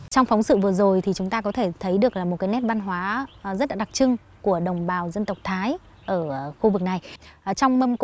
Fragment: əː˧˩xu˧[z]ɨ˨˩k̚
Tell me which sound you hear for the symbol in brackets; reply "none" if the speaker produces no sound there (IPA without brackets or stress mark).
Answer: v